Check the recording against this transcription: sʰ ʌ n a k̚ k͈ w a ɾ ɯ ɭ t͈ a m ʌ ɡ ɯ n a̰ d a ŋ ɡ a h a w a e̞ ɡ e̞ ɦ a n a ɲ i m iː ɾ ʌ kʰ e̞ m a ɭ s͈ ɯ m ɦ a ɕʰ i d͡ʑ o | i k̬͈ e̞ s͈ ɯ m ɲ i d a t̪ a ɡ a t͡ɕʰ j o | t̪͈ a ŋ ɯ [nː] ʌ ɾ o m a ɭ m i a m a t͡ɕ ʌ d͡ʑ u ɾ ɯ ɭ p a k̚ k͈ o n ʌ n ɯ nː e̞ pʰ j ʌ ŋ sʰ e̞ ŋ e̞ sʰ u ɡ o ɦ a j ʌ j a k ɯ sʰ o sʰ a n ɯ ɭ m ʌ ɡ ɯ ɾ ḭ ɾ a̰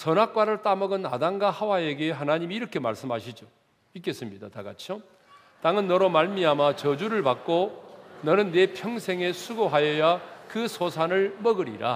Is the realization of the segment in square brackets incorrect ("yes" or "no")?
no